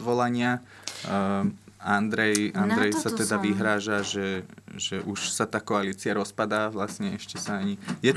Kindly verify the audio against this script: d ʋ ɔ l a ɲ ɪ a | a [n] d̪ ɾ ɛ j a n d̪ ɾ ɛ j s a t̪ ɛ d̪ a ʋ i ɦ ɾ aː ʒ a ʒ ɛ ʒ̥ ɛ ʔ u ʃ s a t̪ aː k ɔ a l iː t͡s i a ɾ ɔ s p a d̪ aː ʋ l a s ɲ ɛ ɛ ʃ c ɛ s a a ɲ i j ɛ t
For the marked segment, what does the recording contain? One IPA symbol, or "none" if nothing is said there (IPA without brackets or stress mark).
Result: n